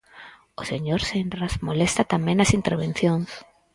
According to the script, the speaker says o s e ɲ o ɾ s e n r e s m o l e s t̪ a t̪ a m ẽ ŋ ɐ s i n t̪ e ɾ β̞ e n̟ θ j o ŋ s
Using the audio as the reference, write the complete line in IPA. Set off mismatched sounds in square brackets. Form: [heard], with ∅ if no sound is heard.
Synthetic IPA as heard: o s e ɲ o ɾ s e n r [a] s m o l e s t̪ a t̪ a m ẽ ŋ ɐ s i n t̪ e ɾ β̞ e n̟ θ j o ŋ s